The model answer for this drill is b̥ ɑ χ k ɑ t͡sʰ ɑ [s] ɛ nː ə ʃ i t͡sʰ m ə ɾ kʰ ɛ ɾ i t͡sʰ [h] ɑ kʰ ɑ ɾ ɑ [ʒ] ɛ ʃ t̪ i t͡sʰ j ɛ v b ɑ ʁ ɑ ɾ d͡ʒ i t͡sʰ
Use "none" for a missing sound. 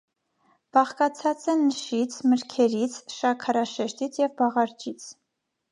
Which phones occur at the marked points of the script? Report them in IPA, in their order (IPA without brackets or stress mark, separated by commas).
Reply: t͡s, ʃ, ʃ